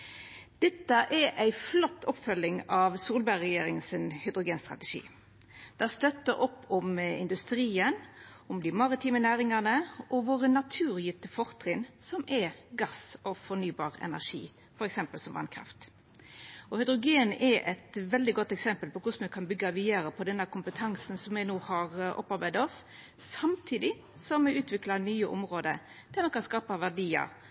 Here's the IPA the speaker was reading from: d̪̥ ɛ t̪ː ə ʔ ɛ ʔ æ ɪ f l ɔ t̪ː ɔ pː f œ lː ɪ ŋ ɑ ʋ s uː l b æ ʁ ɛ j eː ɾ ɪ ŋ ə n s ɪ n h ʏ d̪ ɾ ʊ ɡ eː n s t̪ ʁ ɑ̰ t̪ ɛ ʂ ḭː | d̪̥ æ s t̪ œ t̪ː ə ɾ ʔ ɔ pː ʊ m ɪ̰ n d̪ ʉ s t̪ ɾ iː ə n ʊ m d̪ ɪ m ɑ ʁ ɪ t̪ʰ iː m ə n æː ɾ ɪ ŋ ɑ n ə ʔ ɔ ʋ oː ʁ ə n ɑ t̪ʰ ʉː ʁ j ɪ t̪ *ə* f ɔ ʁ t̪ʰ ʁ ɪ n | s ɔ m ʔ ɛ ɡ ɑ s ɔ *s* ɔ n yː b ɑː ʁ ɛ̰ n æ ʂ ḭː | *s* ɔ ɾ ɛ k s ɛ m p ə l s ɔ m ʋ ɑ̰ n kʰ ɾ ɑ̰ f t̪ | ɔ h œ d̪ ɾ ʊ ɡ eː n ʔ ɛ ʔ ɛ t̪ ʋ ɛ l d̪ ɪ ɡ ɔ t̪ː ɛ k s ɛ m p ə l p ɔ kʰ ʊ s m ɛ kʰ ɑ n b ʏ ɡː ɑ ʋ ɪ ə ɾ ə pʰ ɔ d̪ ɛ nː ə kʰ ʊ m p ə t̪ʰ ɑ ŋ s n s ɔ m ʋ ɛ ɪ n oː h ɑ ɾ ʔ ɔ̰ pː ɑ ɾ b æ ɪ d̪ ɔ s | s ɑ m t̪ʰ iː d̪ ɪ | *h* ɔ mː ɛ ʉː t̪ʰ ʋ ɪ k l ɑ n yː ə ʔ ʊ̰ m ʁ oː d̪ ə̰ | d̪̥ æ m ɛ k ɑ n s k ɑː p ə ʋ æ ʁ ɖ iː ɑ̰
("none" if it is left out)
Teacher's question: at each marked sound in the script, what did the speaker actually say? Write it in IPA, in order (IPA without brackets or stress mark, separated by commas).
ə, f, f, s